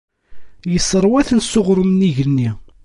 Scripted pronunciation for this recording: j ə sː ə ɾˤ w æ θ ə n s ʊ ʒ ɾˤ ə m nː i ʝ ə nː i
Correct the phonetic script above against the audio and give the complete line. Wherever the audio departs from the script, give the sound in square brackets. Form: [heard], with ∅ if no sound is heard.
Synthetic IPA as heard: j ə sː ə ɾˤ w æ θ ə n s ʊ [ʁ] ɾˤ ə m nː i ʝ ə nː i